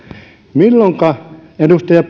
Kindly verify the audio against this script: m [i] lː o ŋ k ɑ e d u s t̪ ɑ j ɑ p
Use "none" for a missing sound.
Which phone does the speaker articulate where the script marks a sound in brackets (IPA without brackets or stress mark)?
i